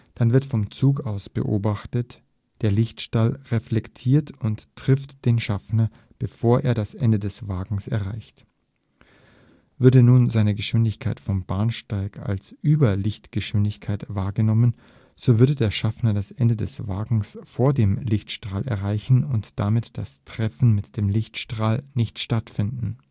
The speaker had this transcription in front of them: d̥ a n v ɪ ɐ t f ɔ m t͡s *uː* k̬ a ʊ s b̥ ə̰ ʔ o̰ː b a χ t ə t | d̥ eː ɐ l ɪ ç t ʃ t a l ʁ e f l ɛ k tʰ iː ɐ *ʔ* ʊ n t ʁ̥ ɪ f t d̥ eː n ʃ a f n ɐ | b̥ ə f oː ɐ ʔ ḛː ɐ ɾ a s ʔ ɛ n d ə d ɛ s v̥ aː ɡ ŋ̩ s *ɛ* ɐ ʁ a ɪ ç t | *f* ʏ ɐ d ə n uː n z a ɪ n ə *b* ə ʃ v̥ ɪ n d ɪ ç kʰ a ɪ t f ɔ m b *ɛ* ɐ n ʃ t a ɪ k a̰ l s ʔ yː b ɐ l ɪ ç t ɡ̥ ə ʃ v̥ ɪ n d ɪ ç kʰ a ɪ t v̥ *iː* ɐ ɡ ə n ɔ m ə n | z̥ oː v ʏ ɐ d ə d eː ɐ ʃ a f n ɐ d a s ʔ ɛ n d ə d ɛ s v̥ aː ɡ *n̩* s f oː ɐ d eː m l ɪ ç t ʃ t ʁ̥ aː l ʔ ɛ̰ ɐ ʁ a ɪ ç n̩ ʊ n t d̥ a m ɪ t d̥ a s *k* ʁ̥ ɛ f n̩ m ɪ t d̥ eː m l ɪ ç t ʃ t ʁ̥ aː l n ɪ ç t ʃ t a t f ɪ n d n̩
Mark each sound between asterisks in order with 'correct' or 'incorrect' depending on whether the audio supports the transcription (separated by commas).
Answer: correct, incorrect, correct, incorrect, incorrect, incorrect, incorrect, incorrect, incorrect